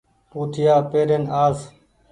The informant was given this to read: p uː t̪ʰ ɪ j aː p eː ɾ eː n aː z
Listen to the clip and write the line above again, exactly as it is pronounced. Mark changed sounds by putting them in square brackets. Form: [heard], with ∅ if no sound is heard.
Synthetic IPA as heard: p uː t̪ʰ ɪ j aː p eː ɾ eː n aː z

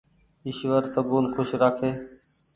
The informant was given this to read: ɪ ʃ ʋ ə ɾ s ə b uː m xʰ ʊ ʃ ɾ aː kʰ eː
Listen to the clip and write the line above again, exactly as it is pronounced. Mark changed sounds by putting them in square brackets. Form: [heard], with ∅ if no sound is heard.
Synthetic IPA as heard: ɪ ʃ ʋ ə ɾ s ə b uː [n] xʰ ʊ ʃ ɾ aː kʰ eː

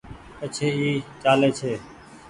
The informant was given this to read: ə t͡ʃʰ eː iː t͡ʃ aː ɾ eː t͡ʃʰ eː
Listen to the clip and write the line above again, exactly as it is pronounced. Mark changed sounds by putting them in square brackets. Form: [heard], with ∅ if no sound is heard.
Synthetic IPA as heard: ə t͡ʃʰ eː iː t͡ʃ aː [l] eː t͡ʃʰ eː

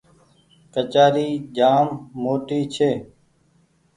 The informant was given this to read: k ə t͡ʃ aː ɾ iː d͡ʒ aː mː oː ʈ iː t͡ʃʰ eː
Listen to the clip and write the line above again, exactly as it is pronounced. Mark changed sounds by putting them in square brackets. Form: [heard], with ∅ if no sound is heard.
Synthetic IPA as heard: k ə t͡ʃ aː ɾ iː d͡ʒ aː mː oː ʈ iː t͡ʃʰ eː

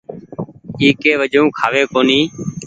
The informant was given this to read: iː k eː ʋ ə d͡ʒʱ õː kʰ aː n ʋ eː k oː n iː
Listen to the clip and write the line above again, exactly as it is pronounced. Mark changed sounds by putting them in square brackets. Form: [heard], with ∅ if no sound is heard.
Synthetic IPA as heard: iː k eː ʋ ə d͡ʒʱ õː kʰ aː [∅] ʋ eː k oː n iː

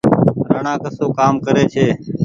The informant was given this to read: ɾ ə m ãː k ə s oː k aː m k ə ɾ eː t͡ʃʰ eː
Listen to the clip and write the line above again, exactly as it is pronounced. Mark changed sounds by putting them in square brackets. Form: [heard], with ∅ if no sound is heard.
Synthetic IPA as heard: ɾ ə [ɳ] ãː k ə s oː k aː m k ə ɾ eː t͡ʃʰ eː

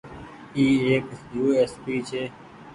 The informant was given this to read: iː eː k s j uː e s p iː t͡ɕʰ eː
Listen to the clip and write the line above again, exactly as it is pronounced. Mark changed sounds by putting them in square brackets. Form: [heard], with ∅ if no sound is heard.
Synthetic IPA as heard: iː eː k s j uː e s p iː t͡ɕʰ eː

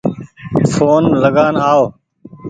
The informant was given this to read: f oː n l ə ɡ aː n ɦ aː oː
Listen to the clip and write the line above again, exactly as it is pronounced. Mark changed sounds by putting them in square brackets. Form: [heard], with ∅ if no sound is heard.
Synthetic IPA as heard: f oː n l ə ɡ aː n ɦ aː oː

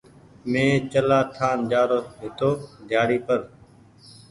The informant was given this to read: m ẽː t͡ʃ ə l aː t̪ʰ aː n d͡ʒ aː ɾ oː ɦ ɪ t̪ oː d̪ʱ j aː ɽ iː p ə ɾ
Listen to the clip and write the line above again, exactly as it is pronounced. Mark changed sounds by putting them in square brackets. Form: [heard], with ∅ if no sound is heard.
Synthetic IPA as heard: m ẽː t͡ʃ ə l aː t̪ʰ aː n d͡ʒ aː ɾ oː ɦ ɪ t̪ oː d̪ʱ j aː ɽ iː p ə ɾ

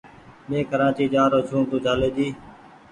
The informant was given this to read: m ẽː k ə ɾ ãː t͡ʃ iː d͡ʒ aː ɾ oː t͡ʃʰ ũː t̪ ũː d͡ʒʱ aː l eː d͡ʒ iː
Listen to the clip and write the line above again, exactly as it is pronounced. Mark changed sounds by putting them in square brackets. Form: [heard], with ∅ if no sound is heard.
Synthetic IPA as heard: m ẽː k ə ɾ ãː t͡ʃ iː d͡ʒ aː ɾ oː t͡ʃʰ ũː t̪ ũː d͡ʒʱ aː l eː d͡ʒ iː

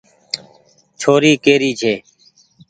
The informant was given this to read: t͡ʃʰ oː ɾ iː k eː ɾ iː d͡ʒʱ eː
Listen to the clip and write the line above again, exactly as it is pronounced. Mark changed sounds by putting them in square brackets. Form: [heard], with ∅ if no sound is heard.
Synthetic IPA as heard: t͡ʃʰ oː ɾ iː k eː ɾ iː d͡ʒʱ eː

